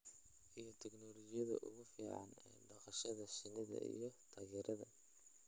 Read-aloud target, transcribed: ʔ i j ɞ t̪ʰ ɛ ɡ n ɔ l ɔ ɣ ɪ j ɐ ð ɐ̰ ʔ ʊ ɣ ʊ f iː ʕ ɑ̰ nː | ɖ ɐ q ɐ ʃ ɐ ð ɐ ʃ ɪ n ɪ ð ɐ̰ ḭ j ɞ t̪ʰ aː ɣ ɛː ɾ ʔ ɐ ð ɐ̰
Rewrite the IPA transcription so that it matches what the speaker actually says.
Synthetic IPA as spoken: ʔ i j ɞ t̪ʰ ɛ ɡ n ɔ l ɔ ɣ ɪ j ɐ ð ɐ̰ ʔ ʊ ɣ ʊ f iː ʕ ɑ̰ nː | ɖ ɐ q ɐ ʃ ɐ ð ɐ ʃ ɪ n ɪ ð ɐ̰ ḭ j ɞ t̪ʰ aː ɣ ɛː ɾ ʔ ɐ ð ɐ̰

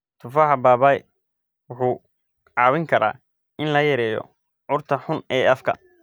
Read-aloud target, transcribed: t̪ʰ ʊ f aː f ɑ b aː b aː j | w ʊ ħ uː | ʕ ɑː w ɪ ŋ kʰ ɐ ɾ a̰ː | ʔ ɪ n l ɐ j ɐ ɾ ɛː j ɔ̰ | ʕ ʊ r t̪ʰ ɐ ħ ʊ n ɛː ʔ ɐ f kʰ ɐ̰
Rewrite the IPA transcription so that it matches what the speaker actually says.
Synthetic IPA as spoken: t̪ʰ ʊ f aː ħ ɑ b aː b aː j | w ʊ ħ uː | ʕ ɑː w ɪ ŋ kʰ ɐ ɾ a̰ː | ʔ ɪ n l ɐ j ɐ ɾ ɛː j ɔ̰ | ʕ ʊ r t̪ʰ ɐ ħ ʊ n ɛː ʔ ɐ f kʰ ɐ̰

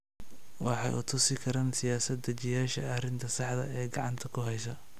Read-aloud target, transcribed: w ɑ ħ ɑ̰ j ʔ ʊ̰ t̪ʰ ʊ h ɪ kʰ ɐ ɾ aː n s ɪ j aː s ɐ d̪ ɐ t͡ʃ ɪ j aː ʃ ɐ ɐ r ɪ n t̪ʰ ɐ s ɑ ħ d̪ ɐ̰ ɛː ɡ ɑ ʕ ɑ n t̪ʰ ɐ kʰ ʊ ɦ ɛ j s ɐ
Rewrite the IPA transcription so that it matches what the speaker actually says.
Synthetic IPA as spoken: w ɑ ħ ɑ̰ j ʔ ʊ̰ t̪ʰ ʊ s ɪ kʰ ɐ ɾ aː n s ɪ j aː s ɐ d̪ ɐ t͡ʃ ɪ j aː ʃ ɐ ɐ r ɪ n t̪ʰ ɐ s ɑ ħ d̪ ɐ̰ ɛː ɡ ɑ ʕ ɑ n t̪ʰ ɐ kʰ ʊ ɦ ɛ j s ɐ

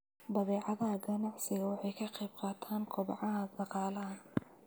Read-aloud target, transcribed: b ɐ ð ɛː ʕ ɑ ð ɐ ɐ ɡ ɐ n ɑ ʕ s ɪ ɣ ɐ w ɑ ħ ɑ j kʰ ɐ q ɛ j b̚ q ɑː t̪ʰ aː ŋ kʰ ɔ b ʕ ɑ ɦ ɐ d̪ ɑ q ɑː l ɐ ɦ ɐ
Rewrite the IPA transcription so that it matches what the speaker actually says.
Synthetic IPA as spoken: b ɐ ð ɛː ʕ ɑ ð ɐ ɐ ɡ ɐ n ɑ ʕ s ɪ ɣ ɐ w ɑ ħ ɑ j kʰ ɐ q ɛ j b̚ q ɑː t̪ʰ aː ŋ kʰ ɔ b ʕ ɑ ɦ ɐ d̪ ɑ q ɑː l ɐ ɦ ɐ

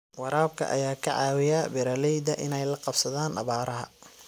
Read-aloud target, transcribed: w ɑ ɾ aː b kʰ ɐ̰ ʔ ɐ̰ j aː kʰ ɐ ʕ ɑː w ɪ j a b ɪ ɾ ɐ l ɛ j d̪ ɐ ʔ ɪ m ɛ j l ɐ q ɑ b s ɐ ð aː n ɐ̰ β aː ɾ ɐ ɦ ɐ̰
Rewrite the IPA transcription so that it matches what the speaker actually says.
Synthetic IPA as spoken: w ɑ ɾ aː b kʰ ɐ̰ ʔ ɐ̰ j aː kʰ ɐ ʕ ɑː w ɪ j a b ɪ ɾ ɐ l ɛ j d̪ ɐ ʔ ɪ n ɛ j l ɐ q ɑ b s ɐ ð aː n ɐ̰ β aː ɾ ɐ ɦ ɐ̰

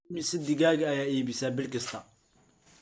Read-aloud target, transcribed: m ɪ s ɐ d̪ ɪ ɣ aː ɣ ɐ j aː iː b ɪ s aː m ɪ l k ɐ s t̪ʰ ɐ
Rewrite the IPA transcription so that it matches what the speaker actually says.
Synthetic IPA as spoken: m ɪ s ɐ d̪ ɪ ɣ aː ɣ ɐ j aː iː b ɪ s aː b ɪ l k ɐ s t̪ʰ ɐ

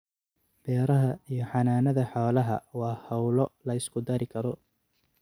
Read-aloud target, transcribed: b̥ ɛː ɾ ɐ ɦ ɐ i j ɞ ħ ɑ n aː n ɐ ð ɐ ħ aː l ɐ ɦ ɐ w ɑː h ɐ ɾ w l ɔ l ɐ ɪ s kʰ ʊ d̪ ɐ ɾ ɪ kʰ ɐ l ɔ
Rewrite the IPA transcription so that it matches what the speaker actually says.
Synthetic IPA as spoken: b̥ ɛː ɾ ɐ ɦ ɐ i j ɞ ħ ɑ n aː n ɐ ð ɐ ħ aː l ɐ ɦ ɐ w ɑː h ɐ w l ɔ l ɐ ɪ s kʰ ʊ d̪ ɐ ɾ ɪ kʰ ɐ ɾ ɔ

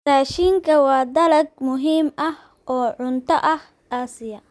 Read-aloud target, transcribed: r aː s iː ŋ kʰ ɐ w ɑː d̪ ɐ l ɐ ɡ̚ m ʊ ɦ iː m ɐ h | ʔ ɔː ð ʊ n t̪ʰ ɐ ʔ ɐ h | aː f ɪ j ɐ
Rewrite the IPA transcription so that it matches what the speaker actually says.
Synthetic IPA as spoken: r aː ʃ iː ŋ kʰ ɐ w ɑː d̪ ɐ l ɐ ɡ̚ m ʊ ɦ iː m ɐ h | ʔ ɔː ʕ ʊ n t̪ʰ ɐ ʔ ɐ h | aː s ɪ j ɐ

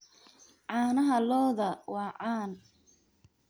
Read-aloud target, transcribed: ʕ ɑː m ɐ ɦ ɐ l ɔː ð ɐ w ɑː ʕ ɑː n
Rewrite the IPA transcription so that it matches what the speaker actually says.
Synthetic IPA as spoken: ʕ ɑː n ɐ ɦ ɐ l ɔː ð ɐ w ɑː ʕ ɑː n

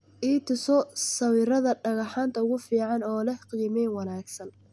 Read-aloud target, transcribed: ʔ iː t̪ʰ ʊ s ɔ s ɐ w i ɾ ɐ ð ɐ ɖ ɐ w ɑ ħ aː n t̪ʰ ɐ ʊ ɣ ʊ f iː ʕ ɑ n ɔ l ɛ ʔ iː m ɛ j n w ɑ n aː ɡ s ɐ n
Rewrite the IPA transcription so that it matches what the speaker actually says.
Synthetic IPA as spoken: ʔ iː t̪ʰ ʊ s ɔ s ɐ w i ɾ ɐ ð ɐ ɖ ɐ ɣ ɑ ħ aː n t̪ʰ ɐ ʊ ɣ ʊ f iː ʕ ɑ n ɔː l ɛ q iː m ɛ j n w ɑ n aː ɡ s ɐ n

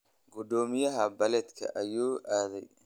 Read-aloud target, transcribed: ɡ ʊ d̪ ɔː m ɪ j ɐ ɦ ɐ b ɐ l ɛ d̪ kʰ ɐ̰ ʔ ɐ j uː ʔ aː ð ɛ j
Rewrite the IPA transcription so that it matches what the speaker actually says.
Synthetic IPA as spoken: ɡ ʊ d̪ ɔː m ɪ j ɐ ɦ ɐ b ɐ l ɛ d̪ kʰ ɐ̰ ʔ ɐ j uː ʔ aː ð ɛ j

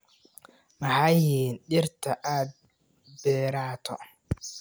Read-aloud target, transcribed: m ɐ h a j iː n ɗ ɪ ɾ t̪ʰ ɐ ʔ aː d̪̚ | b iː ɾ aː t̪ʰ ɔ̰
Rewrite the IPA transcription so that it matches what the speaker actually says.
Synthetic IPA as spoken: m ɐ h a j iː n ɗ ɪ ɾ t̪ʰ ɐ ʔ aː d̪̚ | b ɛː ɾ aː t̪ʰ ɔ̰

